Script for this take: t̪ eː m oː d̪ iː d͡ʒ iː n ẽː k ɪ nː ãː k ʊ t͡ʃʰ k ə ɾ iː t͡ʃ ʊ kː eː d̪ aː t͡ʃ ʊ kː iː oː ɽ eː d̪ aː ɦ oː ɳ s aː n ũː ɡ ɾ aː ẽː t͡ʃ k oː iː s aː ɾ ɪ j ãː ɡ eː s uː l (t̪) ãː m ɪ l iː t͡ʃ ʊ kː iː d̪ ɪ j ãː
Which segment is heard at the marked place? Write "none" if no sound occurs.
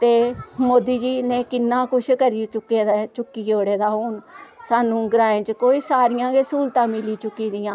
t̪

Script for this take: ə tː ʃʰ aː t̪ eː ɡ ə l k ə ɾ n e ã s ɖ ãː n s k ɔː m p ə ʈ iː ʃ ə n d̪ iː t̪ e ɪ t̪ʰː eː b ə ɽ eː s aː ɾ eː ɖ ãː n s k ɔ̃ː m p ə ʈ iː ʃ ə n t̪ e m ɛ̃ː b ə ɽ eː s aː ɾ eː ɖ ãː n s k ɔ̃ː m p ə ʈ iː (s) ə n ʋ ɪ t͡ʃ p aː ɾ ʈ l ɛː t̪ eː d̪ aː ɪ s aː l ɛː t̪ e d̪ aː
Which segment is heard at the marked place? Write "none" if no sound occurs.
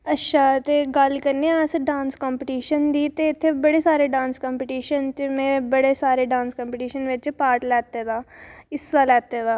ʃ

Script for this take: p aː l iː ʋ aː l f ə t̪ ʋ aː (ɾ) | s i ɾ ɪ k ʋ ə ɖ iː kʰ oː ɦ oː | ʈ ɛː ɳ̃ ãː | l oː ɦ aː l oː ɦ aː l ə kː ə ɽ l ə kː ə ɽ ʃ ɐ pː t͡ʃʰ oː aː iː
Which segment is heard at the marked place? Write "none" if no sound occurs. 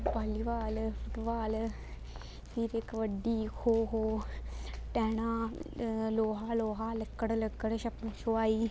l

